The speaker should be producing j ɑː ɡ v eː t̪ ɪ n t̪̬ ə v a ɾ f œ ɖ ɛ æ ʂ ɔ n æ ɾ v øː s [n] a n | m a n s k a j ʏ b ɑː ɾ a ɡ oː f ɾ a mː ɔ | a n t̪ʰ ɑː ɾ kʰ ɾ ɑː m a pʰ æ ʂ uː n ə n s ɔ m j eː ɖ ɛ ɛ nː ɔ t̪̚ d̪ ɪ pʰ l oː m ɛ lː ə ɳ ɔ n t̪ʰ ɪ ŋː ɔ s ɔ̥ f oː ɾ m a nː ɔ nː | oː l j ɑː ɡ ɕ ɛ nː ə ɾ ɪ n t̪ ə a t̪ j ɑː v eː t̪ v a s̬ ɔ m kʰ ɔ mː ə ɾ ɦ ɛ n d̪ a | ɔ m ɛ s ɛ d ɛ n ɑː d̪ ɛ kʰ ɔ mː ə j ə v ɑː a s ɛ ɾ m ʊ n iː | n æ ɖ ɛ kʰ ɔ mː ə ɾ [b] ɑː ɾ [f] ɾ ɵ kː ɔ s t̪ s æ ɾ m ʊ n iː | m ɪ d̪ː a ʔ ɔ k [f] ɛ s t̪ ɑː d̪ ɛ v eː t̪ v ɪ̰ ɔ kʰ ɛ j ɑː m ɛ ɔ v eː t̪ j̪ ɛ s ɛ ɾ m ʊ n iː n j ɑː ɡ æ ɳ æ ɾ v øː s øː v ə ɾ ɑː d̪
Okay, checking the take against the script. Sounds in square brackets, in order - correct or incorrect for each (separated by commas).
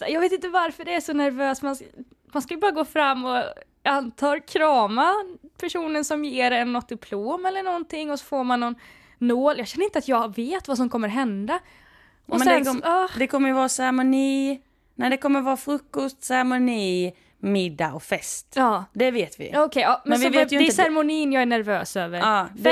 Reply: incorrect, incorrect, correct, correct